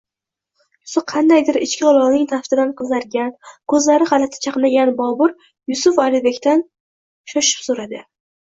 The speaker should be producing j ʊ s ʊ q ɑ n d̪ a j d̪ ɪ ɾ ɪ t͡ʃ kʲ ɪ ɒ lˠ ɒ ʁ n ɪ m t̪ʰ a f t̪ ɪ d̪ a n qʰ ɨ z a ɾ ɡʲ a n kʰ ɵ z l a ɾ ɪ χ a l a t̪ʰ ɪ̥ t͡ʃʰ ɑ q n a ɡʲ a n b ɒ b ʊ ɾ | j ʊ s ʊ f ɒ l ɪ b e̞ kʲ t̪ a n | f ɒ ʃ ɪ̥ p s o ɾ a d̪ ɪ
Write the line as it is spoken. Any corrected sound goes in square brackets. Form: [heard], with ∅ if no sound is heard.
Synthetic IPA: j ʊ s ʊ [qʰ] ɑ n d̪ a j d̪ ɪ ɾ ɪ t͡ʃ kʲ ɪ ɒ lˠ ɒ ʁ n ɪ [ŋ] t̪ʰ a f t̪ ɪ d̪ a n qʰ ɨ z a ɾ ɡʲ a n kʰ ɵ z l a ɾ ɪ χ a l a t̪ʰ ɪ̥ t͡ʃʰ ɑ q n a ɡʲ a n b ɒ b ʊ ɾ | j ʊ s ʊ f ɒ l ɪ b e̞ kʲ t̪ a n | [ʃ] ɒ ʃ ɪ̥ p s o ɾ a d̪ ɪ